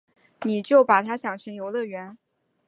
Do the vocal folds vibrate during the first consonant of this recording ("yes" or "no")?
yes